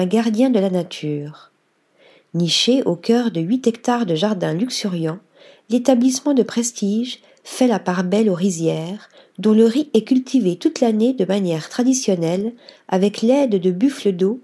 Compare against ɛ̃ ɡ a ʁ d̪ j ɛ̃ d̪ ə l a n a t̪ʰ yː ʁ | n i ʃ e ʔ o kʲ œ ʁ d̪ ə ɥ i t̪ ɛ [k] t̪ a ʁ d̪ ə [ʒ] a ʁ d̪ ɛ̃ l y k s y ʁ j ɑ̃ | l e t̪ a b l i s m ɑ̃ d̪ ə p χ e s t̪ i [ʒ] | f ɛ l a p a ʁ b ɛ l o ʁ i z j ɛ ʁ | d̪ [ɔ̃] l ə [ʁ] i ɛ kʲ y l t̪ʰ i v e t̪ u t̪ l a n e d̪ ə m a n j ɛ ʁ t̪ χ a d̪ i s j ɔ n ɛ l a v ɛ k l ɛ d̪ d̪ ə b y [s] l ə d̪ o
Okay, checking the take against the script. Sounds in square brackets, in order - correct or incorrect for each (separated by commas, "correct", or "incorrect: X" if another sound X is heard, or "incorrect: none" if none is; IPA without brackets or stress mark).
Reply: correct, correct, correct, correct, correct, incorrect: f